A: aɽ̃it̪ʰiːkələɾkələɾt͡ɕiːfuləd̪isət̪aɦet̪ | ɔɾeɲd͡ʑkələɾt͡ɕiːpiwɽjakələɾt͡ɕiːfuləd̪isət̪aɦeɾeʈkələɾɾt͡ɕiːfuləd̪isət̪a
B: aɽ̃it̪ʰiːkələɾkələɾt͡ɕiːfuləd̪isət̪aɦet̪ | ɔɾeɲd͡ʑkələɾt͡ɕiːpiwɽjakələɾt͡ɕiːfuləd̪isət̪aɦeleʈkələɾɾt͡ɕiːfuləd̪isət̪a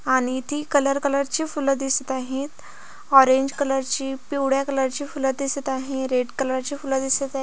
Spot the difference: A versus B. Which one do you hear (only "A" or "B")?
A